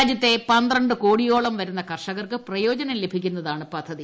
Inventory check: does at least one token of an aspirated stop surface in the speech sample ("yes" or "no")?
no